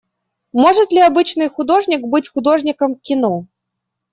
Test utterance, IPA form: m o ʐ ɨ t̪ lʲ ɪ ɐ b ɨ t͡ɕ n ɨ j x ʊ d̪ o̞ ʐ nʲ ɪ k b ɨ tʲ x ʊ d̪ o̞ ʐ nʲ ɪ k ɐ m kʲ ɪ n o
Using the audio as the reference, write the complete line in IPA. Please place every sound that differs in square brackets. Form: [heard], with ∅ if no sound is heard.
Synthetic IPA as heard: m o ʐ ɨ t̪ lʲ ɪ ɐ b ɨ t͡ɕ n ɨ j x ʊ d̪ o̞ ʐ nʲ ɪ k b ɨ tʲ x ʊ d̪ o̞ ʐ nʲ ɪ k [ə] m kʲ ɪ n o